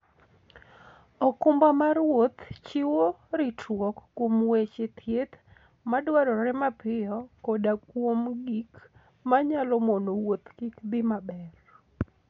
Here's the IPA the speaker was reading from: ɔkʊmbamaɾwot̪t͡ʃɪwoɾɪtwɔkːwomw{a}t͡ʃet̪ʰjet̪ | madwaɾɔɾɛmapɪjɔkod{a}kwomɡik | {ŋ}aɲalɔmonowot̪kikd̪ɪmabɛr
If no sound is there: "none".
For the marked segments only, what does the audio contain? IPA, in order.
e, a, m

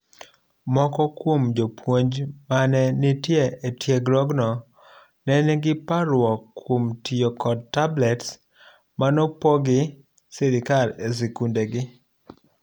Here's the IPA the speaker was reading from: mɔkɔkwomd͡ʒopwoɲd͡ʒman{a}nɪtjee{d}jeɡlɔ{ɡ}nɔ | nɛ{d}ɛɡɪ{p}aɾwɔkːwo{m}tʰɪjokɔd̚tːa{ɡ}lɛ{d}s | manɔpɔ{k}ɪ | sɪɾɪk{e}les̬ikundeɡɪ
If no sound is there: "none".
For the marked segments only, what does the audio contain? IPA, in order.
ɛ, t, ɡ, n, p, m, b, t, ɡ, a

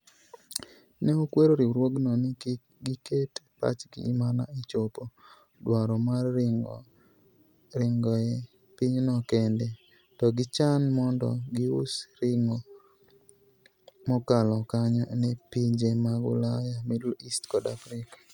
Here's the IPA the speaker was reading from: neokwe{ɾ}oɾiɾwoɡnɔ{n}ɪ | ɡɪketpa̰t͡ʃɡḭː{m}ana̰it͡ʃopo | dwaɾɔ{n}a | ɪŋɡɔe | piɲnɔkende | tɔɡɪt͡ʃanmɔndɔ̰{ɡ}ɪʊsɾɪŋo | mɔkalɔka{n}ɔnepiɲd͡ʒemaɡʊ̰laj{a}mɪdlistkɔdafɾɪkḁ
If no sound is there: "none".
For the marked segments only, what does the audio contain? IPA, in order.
ɾ, n, m, m, ɡ, ɲ, a

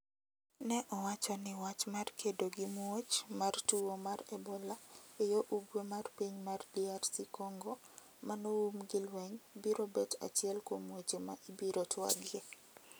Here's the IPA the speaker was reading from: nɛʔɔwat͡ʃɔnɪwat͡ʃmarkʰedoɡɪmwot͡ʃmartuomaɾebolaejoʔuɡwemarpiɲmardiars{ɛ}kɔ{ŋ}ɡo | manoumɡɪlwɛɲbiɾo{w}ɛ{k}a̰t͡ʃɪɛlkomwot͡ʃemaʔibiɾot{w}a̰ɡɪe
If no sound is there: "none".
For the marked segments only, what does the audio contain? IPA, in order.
i, ŋ, b, t, w

